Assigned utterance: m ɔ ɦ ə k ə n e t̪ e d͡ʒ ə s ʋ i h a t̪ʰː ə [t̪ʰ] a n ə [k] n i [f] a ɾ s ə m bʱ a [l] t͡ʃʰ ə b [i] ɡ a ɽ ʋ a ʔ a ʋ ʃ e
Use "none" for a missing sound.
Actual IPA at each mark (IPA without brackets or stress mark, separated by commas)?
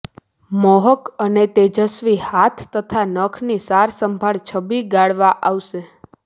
t̪ʰ, kʰ, s, ɭ, i